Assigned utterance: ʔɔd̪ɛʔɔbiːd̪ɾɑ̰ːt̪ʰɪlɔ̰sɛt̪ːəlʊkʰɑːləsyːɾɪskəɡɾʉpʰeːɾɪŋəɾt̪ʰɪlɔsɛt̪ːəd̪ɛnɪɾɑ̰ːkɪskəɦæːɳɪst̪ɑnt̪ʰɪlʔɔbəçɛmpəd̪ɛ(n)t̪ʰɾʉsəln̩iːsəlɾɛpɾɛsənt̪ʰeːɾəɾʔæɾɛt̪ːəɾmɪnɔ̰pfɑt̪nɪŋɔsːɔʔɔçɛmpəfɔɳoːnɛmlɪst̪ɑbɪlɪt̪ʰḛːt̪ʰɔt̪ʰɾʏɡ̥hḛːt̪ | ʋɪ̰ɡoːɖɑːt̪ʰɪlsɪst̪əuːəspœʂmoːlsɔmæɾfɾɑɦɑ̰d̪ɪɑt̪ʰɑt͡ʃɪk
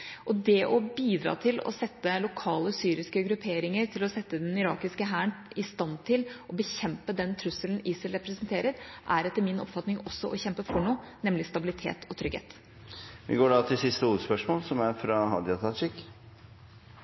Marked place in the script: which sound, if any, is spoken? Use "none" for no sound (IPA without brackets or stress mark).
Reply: n